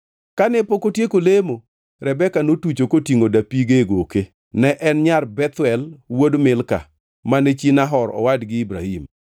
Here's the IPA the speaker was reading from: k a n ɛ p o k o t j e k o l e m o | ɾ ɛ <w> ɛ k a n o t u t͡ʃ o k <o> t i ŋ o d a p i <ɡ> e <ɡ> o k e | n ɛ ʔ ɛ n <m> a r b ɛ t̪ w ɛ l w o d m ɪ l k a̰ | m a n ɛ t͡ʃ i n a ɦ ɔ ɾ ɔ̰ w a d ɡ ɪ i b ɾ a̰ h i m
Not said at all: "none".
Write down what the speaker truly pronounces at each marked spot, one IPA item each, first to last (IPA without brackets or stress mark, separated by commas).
b, o, ɡ, ɡ, ɲ